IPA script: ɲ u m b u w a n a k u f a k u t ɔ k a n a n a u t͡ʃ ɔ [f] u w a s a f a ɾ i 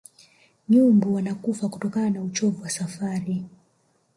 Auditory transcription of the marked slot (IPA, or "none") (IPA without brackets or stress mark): v